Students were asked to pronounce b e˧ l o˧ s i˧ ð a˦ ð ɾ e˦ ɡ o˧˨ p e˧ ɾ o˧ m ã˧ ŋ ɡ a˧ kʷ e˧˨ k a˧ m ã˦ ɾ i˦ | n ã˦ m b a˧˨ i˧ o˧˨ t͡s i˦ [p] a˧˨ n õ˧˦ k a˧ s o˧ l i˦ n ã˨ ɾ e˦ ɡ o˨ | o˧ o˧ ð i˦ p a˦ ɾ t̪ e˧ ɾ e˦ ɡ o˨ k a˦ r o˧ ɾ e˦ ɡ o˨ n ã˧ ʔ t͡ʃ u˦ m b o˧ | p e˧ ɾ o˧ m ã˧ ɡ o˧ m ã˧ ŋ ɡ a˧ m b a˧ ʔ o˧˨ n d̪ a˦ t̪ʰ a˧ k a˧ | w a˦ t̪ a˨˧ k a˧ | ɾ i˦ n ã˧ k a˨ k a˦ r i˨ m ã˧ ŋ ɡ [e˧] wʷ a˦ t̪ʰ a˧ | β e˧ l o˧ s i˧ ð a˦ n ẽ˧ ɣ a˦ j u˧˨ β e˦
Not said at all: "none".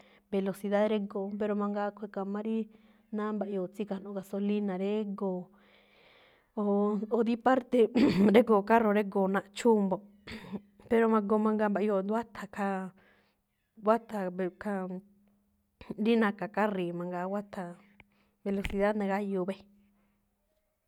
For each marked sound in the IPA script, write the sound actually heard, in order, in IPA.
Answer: k, a˧

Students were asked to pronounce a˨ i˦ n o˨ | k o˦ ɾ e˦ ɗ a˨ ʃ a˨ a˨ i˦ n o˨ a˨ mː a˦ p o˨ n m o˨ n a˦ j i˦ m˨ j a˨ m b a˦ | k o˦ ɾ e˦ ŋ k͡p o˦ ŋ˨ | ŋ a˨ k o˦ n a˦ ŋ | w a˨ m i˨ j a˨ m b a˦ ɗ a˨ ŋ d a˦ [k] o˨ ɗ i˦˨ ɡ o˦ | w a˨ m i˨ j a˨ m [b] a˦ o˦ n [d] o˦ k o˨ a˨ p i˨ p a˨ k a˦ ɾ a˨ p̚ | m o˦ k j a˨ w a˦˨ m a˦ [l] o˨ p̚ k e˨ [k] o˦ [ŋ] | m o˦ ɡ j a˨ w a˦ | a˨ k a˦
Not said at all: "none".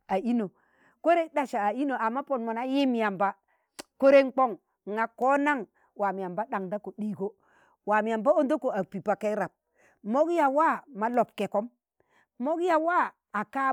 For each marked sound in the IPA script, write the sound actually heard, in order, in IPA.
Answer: k, b, d, l, k, m

